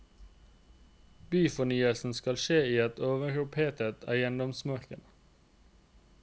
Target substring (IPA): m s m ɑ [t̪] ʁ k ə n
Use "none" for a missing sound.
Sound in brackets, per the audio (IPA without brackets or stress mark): none